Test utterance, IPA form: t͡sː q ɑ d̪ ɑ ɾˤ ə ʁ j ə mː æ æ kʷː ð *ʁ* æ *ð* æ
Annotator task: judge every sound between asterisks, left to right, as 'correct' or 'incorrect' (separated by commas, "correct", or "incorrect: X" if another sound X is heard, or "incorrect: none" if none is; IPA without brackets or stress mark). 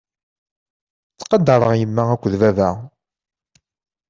incorrect: v, incorrect: v